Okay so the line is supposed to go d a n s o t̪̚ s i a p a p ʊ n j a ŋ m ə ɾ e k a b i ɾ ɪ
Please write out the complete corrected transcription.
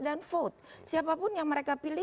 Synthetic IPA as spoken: d a n f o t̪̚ s i a p a p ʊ n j a ŋ m ə ɾ e k a p i l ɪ